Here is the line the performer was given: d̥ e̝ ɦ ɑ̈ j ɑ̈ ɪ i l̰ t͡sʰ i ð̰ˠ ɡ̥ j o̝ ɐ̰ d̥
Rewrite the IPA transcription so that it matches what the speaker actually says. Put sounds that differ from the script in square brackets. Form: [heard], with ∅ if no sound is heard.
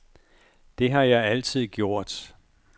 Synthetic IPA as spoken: d̥ e̝ ɦ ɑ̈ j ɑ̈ ɪ [æ] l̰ t͡sʰ i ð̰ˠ ɡ̥ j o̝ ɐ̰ d̥

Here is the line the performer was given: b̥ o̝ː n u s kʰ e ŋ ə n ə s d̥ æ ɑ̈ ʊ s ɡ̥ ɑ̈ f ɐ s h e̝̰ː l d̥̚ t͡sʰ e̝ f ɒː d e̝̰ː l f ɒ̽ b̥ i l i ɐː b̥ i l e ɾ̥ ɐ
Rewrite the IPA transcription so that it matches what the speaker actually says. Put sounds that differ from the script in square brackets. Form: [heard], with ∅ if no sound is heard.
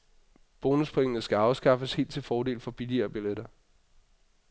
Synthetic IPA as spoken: b̥ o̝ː n u s [pʰ] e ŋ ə n ə s [ɡ̥] æ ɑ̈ ʊ s ɡ̥ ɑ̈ f [ə] s h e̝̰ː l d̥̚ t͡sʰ e̝ f ɒː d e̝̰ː l f ɒ̽ b̥ i l i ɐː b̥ i l e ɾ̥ ɐ

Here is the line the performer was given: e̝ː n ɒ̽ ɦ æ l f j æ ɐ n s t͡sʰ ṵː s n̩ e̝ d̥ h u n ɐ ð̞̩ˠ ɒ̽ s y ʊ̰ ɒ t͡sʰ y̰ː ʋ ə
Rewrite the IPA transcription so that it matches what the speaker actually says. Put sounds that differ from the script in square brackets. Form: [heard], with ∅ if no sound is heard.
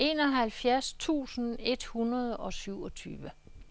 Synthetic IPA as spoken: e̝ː n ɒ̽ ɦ æ l f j æ ɐ [∅] s t͡sʰ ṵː s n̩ e̝ d̥ h u n ɐ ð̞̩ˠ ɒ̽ s y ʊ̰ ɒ t͡sʰ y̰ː ʋ ə

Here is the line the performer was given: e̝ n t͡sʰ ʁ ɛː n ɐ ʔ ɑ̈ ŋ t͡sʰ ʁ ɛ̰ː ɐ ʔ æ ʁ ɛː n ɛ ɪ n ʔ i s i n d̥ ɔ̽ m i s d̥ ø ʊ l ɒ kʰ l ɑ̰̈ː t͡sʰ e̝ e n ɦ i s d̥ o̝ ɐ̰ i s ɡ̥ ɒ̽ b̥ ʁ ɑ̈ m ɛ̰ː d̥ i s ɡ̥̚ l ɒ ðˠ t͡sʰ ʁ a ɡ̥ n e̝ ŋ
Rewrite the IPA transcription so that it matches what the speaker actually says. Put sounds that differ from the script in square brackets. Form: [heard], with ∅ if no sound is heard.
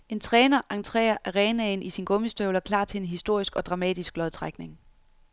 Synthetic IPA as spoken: e̝ n t͡sʰ ʁ ɛː n ɐ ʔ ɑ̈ ŋ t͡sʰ ʁ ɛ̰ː ɐ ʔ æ ʁ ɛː n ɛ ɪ n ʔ i s i n [ɡ̥] ɔ̽ m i s d̥ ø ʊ l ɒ kʰ l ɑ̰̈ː t͡sʰ e̝ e n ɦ i s d̥ o̝ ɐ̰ i s ɡ̥ ɒ̽ [d̥] ʁ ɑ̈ m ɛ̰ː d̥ i s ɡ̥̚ l ɒ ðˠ t͡sʰ ʁ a ɡ̥ n e̝ ŋ

